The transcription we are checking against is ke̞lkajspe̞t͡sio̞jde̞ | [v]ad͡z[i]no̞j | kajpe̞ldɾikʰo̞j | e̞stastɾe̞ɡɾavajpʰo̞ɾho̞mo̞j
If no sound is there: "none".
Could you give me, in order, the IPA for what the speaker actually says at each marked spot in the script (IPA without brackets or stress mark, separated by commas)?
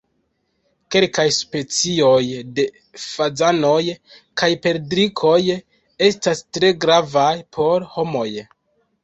f, a